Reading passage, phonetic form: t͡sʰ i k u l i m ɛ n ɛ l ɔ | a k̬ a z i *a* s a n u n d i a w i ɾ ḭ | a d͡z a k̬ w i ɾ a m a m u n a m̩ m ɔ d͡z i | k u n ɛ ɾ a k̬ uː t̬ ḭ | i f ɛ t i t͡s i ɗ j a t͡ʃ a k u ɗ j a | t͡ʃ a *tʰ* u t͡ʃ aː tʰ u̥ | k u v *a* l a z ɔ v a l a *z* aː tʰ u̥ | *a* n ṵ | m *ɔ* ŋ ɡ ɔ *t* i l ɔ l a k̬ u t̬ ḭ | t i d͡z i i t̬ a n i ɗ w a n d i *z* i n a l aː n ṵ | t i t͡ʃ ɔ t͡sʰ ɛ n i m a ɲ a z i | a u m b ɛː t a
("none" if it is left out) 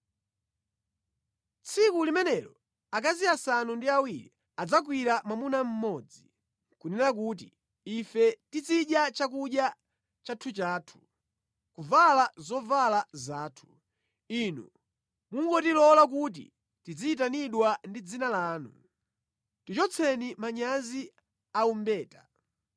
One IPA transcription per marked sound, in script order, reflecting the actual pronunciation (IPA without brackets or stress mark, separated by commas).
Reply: a, tʰ, a, z, i, u, t, d͡z